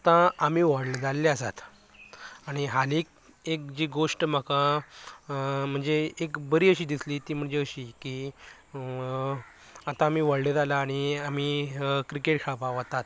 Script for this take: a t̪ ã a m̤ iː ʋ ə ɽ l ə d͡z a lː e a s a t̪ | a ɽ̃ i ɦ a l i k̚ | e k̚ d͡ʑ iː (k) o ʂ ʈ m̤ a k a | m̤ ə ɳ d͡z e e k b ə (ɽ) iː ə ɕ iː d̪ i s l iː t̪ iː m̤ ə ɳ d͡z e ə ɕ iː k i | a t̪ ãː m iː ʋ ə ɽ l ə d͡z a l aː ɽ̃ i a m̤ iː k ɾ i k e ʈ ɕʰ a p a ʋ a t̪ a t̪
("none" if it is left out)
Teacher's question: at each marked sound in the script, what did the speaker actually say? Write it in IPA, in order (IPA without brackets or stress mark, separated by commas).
ɡ, ɾ